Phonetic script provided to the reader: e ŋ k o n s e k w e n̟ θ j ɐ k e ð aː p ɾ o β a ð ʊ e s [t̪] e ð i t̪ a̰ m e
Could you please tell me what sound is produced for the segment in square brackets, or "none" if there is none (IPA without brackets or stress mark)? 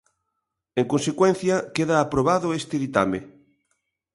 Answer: t̪